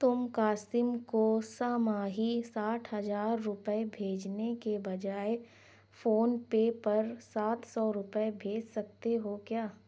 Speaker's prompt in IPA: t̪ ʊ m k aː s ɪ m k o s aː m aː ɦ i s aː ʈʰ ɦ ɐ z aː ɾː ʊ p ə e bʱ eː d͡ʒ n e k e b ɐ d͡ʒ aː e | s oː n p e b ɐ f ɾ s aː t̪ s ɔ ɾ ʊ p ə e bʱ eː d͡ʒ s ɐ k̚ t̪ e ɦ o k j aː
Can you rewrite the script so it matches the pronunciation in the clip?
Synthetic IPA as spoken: t̪ ʊ m k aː s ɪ m k o s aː m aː ɦ i s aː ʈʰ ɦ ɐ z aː ɾː ʊ p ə e bʱ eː d͡ʒ n e k e b ɐ d͡ʒ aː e | f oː n p e p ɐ ɾ s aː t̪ s ɔ ɾ ʊ p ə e bʱ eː d͡ʒ s ɐ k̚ t̪ e ɦ o k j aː